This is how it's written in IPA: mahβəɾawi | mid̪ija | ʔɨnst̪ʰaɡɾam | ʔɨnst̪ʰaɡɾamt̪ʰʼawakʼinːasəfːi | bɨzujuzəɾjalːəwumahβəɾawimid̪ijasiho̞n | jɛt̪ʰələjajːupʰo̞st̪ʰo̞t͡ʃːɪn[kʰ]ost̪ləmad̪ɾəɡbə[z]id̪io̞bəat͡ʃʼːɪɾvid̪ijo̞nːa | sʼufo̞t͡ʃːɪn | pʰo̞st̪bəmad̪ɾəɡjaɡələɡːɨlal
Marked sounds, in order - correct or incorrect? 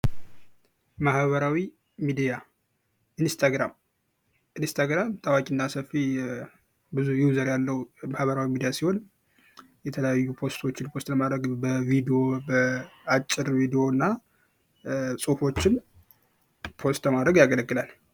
incorrect, incorrect

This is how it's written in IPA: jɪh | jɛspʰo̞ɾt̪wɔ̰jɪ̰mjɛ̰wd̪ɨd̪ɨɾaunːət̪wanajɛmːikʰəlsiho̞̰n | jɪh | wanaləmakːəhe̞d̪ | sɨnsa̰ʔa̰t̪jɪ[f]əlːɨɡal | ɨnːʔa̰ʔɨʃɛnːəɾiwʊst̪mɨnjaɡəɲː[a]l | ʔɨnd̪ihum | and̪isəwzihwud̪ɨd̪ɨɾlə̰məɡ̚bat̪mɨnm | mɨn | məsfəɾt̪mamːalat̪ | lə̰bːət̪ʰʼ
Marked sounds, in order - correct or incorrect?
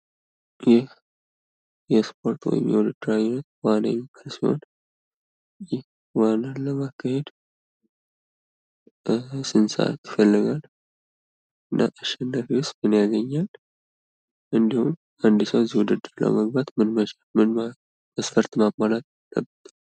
correct, correct

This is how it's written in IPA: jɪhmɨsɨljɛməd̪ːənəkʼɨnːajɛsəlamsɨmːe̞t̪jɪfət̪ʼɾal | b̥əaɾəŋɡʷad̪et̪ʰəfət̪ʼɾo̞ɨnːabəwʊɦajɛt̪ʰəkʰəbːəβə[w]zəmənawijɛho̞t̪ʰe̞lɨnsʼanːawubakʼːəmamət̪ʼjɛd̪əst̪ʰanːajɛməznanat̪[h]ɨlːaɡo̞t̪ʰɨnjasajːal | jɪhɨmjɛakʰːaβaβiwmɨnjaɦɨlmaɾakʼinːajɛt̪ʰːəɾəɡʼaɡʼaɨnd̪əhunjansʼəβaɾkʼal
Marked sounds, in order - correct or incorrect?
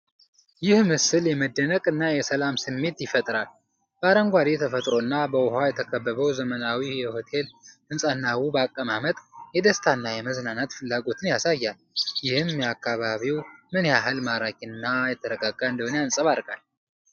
correct, incorrect

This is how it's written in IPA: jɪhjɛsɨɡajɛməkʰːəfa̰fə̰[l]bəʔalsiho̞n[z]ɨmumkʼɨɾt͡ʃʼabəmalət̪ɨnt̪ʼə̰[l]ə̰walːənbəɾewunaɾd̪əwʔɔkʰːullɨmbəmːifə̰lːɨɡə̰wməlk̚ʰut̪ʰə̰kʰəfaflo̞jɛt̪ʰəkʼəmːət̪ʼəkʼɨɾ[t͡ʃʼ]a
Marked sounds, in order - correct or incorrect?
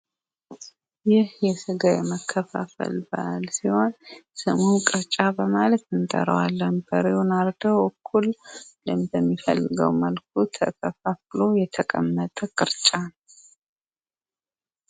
correct, incorrect, incorrect, correct

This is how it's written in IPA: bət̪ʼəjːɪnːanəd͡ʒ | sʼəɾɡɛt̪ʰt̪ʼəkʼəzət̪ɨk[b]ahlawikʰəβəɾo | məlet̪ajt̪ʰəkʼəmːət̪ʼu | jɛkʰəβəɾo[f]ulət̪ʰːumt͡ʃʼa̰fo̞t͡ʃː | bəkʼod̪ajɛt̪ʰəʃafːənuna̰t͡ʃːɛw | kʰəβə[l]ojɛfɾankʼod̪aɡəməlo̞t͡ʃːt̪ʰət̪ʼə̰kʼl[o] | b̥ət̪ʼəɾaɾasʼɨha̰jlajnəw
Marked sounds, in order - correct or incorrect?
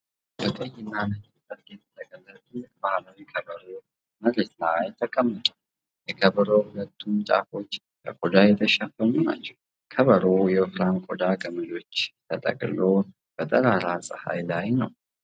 correct, incorrect, incorrect, correct

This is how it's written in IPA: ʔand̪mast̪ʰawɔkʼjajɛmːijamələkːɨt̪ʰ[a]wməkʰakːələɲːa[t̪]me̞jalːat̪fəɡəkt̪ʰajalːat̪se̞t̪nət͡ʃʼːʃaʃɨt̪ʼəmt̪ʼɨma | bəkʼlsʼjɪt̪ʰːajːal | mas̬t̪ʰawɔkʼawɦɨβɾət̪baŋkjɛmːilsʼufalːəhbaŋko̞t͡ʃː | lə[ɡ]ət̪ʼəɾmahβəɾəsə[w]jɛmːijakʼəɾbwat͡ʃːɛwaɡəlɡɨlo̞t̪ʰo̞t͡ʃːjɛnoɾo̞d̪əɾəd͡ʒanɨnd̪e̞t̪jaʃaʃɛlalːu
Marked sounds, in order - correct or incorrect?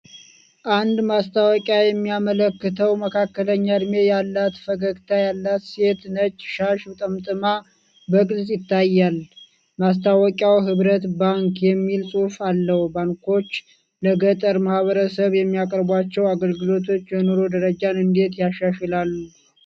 incorrect, incorrect, correct, incorrect

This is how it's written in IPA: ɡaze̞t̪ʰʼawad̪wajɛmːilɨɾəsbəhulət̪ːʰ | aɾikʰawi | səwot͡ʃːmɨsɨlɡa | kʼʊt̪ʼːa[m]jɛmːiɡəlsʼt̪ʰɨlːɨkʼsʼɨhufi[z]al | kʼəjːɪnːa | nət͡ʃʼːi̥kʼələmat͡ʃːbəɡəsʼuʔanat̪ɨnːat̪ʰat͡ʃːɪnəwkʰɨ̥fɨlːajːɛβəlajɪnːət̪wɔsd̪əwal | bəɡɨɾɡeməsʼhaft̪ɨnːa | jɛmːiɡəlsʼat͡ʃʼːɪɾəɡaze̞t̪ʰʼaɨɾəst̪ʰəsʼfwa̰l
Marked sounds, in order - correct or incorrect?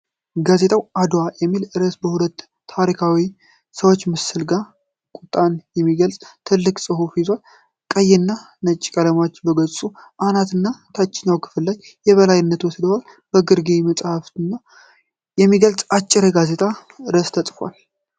incorrect, correct

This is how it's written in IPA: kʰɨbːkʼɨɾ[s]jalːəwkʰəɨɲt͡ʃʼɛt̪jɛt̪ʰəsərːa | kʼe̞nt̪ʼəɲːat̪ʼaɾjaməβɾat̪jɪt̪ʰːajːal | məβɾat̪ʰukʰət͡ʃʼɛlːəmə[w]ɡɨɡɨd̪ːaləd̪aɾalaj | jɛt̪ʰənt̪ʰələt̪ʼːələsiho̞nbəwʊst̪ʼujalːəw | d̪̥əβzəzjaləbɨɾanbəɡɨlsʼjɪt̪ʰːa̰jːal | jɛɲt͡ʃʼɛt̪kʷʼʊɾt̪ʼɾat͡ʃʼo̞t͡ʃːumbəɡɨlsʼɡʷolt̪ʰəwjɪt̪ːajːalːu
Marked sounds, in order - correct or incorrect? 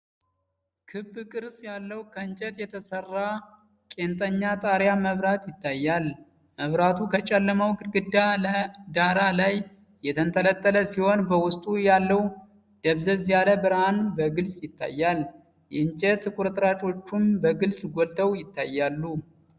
correct, correct

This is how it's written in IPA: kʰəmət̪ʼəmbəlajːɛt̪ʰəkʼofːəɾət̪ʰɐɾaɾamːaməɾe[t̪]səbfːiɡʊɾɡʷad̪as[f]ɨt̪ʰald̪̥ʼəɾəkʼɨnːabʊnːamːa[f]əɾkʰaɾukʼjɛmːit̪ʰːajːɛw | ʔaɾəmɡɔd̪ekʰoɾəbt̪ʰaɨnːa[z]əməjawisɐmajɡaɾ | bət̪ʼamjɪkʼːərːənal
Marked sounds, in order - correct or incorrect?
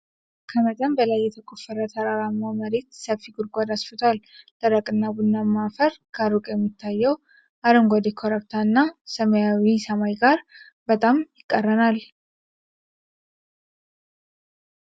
correct, correct, correct, incorrect

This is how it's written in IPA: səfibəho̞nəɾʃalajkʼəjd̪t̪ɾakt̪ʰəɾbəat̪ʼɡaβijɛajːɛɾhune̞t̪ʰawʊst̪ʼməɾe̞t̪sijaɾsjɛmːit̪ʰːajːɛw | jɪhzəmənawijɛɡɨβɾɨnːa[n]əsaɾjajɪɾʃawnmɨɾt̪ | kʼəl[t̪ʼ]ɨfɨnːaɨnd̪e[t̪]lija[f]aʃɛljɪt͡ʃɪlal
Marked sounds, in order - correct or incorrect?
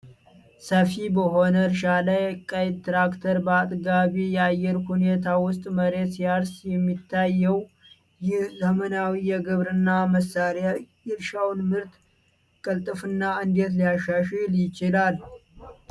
incorrect, correct, correct, incorrect

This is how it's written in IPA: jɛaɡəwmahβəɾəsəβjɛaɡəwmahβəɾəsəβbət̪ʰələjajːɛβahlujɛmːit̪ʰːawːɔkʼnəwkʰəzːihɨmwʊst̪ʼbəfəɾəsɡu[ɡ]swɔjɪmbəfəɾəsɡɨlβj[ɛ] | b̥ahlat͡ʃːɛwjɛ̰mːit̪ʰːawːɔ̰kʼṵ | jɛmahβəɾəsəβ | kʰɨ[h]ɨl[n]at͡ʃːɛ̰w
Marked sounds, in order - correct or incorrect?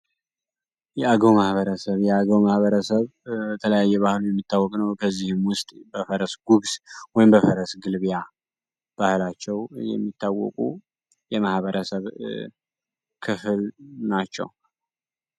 correct, incorrect, incorrect, correct

